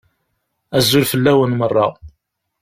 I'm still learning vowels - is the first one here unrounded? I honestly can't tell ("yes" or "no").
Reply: yes